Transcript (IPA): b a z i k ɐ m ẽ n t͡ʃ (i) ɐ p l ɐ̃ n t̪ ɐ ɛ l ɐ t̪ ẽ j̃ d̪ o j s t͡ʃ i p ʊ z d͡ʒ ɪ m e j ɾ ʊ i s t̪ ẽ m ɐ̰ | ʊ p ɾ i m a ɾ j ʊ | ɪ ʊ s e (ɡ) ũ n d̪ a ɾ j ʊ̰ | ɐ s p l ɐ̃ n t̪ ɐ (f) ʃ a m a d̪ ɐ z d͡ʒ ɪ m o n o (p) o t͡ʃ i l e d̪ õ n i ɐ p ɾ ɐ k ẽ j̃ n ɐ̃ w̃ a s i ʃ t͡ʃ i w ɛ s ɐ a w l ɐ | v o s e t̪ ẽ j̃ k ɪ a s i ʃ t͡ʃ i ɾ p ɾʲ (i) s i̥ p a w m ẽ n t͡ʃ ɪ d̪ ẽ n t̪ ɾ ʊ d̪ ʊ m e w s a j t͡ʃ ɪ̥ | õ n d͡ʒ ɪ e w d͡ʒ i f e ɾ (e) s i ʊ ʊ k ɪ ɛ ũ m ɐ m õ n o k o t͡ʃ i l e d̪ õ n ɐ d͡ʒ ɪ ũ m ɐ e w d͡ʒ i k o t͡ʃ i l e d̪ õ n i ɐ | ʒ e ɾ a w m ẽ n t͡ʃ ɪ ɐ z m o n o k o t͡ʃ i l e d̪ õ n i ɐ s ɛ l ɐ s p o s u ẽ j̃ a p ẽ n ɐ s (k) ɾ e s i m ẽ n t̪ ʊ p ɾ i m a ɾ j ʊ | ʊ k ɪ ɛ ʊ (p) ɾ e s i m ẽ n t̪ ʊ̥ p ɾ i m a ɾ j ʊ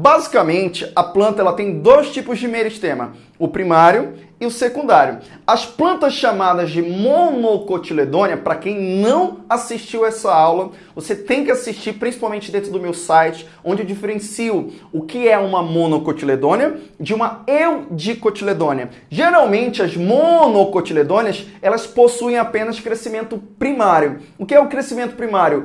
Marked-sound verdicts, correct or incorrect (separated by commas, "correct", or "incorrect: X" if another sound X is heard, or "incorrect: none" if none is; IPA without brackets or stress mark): incorrect: ɪ, incorrect: k, incorrect: s, incorrect: k, incorrect: ĩ, incorrect: ẽ, correct, incorrect: k